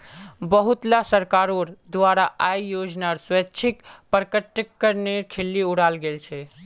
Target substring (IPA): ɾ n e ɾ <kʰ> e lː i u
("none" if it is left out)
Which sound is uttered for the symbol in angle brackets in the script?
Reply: kʰ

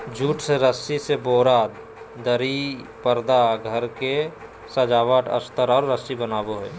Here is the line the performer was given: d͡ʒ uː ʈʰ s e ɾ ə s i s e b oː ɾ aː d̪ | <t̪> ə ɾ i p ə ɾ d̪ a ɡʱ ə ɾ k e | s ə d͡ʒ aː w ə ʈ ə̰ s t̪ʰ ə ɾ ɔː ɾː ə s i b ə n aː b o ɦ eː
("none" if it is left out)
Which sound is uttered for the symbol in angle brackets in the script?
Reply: d̪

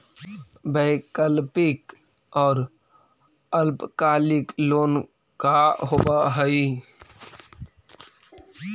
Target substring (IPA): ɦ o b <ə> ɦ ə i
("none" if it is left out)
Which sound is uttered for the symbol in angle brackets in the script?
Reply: a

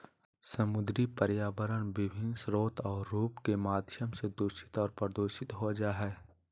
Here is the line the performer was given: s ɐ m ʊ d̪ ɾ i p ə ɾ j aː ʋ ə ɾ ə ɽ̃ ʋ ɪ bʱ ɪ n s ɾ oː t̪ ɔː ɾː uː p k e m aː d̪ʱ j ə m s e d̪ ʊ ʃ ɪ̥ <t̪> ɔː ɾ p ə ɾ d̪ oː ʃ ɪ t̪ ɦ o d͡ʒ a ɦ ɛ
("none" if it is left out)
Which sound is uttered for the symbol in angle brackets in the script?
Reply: t̪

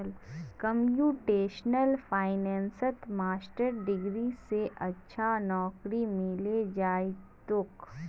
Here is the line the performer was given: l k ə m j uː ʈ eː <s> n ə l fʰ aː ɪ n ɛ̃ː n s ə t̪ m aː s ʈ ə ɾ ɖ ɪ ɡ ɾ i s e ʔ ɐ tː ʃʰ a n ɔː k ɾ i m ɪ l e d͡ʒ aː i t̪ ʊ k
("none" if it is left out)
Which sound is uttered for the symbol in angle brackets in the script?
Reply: ʃ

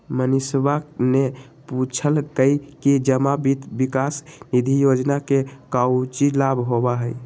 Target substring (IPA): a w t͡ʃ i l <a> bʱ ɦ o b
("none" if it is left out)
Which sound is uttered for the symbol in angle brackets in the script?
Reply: a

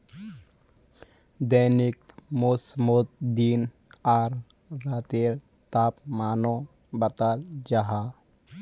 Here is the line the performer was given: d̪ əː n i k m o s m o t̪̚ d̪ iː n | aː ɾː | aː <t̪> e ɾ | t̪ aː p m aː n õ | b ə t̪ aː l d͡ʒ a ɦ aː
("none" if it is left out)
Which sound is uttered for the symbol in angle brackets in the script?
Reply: t̪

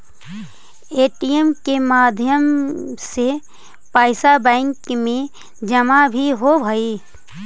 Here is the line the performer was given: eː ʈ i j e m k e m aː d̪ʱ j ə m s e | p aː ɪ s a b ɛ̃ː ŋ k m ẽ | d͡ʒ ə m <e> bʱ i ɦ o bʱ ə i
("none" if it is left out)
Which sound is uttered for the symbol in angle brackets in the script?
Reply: a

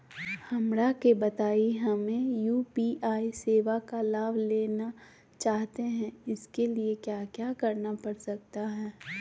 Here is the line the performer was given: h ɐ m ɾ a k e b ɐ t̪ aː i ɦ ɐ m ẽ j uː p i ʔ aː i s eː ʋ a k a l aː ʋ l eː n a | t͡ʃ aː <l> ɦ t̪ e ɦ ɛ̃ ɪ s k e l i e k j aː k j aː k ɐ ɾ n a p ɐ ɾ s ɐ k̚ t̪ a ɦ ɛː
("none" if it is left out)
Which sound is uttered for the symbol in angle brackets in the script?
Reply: none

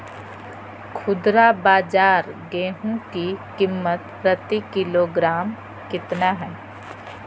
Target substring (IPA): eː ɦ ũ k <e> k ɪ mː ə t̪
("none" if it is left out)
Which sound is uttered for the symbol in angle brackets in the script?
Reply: i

